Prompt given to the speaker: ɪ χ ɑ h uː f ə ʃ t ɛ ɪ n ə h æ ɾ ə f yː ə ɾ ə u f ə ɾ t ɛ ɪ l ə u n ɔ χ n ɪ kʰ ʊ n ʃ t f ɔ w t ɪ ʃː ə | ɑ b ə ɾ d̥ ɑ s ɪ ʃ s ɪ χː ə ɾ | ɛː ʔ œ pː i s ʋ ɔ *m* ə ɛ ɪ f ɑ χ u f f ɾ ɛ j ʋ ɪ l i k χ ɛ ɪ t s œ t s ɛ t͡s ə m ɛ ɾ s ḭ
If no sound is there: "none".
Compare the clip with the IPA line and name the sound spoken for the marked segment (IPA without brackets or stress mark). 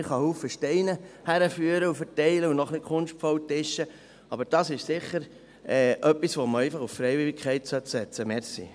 m